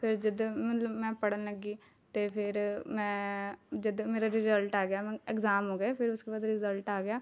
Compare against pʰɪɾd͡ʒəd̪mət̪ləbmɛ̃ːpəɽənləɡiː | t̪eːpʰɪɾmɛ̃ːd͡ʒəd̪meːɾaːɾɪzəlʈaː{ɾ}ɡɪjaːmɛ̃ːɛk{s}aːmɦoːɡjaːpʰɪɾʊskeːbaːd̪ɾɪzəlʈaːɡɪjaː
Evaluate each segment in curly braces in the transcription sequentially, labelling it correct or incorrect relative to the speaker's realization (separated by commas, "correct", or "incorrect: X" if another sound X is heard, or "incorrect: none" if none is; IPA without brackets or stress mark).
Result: incorrect: none, incorrect: z